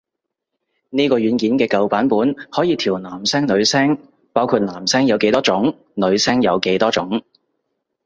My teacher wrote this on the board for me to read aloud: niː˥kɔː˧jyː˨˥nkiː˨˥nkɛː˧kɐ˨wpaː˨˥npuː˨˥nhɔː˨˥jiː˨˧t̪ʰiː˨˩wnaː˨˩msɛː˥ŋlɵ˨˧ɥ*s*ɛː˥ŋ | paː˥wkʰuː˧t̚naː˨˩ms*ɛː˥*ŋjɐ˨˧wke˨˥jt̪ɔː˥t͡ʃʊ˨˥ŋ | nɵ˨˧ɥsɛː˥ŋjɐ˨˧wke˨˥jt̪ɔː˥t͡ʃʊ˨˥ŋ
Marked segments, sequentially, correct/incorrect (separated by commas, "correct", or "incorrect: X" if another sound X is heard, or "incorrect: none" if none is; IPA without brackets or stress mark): correct, correct